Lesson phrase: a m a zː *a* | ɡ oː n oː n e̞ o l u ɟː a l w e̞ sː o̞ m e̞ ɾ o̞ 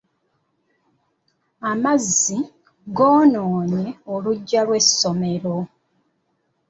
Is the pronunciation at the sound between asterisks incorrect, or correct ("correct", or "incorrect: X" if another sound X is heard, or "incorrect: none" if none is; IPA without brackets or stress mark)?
incorrect: i